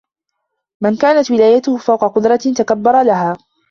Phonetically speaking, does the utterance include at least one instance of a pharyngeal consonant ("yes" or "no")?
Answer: no